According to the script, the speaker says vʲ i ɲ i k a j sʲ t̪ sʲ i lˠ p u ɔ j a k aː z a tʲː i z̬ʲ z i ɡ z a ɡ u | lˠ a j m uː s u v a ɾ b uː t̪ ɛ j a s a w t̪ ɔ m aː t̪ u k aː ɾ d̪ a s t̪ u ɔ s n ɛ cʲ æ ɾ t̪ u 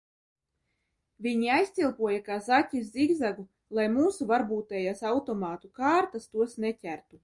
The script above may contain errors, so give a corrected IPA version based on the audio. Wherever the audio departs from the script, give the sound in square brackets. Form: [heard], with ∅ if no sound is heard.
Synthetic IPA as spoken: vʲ i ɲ i [∅] a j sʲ t̪ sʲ i lˠ p u ɔ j a k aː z a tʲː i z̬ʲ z i ɡ z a ɡ u | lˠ a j m uː s u v a ɾ b uː t̪ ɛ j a s a w t̪ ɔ m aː t̪ u k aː ɾ [t̪] a s t̪ u ɔ s n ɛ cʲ æ ɾ t̪ u